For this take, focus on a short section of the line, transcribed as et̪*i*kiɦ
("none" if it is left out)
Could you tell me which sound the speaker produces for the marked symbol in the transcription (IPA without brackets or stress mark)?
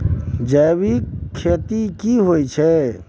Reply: i